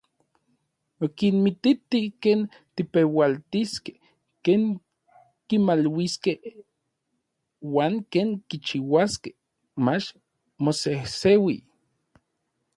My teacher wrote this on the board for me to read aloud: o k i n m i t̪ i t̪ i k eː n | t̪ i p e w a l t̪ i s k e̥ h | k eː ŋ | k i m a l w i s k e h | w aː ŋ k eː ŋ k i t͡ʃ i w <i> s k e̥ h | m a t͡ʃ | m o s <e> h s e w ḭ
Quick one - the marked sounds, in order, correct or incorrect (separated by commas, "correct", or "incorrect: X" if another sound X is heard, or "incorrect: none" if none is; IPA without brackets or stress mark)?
incorrect: a, correct